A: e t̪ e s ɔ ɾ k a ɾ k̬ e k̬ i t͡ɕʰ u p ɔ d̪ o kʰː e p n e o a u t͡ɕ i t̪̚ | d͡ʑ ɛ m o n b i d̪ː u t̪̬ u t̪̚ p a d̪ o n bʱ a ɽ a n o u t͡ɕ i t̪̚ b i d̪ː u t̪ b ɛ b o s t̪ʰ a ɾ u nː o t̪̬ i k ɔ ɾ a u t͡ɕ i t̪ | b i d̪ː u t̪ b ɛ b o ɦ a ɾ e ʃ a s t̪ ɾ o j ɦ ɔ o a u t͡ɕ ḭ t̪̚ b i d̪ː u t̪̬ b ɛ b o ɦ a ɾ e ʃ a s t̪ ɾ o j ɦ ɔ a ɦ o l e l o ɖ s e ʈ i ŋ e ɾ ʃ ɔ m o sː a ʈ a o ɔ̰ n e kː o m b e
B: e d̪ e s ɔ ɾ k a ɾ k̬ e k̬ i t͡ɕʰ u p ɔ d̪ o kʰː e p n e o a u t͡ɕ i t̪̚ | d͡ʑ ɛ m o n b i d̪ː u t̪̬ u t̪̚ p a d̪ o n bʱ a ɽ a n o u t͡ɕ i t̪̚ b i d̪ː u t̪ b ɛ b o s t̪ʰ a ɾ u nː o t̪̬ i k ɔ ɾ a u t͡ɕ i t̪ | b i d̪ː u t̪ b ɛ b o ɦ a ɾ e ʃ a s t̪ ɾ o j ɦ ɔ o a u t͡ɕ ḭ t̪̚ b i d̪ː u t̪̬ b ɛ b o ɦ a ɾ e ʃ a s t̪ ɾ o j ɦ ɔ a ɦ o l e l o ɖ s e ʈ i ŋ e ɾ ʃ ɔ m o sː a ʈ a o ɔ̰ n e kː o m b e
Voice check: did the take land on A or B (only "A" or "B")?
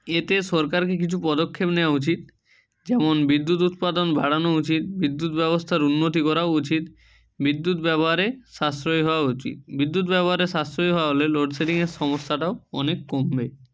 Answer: A